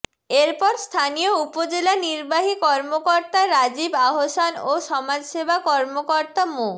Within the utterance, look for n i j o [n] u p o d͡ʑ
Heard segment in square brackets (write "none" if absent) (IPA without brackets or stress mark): none